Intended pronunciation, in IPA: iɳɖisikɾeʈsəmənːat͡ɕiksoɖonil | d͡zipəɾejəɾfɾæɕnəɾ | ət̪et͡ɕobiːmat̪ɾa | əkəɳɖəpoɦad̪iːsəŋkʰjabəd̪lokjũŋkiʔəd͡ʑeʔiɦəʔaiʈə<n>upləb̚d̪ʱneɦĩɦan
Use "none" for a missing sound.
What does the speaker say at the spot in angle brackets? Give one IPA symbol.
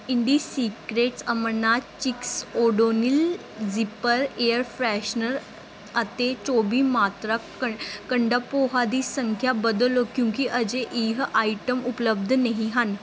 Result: m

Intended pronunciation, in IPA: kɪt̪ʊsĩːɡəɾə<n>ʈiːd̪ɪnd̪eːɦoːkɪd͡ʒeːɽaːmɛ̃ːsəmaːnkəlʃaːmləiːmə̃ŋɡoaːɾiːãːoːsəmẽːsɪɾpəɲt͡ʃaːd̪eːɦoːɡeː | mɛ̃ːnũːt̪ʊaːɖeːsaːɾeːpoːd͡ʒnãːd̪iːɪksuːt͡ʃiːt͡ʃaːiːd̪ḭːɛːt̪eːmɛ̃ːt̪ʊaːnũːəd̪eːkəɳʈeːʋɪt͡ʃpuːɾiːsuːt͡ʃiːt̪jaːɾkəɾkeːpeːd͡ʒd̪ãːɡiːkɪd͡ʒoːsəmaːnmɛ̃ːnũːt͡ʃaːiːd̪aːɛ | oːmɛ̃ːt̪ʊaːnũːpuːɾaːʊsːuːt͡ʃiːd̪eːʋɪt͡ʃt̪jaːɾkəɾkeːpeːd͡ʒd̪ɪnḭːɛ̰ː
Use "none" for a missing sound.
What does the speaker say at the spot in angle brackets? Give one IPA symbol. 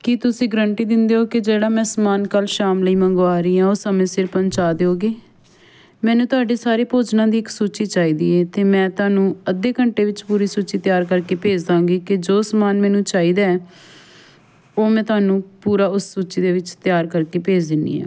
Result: ɳ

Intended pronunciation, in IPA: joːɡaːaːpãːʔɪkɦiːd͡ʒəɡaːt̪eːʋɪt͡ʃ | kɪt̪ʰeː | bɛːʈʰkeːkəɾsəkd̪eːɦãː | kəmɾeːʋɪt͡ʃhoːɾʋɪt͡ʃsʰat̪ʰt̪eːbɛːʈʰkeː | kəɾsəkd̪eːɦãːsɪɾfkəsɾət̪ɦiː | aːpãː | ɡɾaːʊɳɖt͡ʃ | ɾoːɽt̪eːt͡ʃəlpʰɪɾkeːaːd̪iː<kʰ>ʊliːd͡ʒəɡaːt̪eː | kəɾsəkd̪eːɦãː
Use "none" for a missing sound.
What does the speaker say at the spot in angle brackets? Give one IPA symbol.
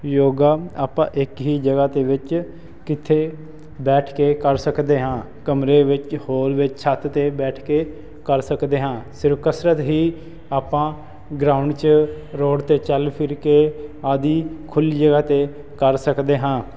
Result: kʰ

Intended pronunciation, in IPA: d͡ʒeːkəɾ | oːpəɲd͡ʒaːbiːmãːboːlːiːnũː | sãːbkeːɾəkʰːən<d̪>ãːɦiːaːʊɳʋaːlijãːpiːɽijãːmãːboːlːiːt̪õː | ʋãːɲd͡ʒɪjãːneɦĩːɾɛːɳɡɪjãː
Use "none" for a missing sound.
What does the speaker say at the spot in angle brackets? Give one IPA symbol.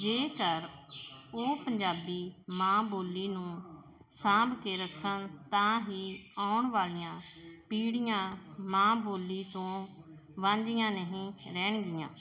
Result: t̪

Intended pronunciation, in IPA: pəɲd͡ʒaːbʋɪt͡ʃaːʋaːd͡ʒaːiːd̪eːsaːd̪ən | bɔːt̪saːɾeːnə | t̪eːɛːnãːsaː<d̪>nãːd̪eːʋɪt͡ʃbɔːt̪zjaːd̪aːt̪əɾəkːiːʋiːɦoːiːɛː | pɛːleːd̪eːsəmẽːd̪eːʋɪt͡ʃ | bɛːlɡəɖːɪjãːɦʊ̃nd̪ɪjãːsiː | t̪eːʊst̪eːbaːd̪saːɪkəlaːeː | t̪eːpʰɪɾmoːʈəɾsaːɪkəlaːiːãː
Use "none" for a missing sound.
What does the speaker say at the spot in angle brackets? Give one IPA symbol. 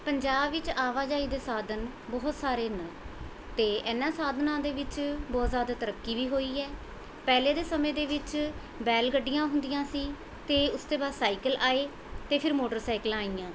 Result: d̪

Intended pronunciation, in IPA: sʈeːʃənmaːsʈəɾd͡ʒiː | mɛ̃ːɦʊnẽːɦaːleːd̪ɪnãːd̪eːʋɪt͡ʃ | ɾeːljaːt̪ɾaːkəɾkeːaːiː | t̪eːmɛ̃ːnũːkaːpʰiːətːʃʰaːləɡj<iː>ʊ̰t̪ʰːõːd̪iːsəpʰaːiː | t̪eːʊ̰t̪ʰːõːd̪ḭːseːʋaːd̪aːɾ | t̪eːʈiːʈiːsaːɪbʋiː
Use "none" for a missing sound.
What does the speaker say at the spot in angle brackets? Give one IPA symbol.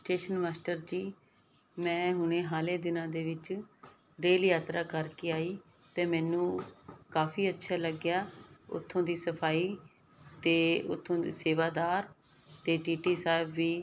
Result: aː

